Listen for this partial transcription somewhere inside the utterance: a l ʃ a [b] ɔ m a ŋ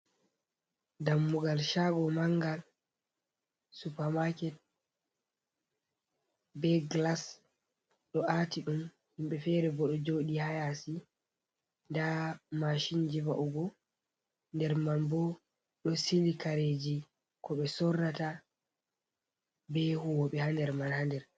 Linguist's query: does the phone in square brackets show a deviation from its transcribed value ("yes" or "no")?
yes